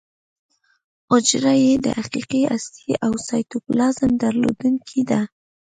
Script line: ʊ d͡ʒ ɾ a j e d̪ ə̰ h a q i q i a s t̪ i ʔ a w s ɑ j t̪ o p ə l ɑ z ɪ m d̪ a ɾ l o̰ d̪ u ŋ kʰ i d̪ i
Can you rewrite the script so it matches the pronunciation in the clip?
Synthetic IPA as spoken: ʊ d͡ʒ ɾ a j e d̪ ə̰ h a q i q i a s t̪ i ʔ a w s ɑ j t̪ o p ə l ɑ z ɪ m d̪ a ɾ l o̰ d̪ u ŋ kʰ i d̪ a